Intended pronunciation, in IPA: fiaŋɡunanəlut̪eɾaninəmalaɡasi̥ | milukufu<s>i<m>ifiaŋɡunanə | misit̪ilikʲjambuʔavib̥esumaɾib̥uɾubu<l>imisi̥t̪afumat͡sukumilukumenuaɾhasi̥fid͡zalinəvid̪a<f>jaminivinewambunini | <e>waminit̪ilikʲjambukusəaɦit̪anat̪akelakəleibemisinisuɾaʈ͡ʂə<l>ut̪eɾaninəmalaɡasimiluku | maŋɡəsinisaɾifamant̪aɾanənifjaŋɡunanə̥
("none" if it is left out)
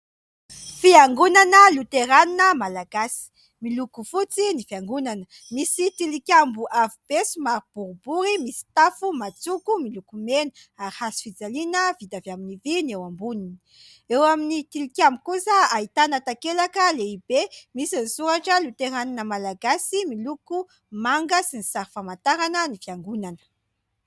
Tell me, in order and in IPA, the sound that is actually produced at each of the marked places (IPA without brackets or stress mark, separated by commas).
t͡s, n, ɾ, v, e, l